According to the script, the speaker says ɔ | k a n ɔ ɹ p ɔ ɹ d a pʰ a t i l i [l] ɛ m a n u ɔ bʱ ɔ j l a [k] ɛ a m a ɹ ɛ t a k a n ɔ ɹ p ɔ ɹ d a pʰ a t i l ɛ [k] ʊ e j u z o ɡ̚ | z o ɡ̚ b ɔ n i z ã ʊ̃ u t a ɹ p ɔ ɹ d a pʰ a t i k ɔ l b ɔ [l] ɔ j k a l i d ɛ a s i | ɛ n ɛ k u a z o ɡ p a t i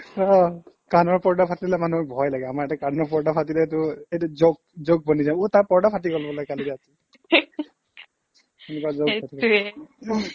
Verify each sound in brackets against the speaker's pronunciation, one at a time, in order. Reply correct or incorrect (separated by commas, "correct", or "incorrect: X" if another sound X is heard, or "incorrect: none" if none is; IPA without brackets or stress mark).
correct, incorrect: ɡ, incorrect: t, correct